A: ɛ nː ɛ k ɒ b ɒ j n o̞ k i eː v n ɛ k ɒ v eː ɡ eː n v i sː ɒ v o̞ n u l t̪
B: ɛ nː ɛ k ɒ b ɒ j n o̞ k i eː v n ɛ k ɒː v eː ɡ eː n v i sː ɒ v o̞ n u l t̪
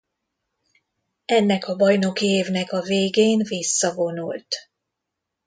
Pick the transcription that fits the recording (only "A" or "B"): A